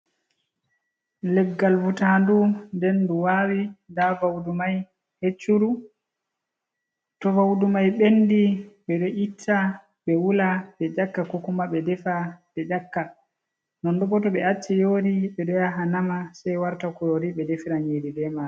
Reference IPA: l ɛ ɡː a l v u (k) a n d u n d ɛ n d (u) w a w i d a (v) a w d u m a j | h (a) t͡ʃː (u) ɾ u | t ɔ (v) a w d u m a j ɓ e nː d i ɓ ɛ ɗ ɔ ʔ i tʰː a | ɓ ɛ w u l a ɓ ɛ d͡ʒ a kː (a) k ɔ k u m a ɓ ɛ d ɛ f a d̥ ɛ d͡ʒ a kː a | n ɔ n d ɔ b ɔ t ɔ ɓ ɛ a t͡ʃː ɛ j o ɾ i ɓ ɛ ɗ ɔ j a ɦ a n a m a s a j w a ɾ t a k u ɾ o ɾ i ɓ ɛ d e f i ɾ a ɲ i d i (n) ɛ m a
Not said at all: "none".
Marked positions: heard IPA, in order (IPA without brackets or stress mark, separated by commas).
t, u, v, e, u, v, a, d